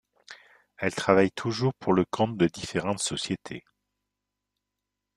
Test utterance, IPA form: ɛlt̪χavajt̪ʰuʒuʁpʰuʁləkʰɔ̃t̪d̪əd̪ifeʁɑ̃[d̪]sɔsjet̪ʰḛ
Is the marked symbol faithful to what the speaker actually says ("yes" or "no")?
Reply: no